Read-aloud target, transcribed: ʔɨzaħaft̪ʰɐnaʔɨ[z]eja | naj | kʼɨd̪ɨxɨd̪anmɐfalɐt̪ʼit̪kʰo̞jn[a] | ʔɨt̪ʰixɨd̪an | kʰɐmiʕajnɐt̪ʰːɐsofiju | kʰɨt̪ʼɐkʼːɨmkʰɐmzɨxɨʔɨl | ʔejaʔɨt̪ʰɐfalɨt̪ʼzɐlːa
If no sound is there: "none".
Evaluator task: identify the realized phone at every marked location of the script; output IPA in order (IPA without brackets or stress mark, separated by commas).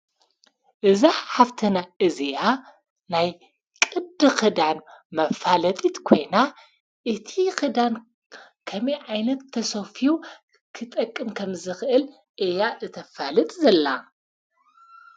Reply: z, a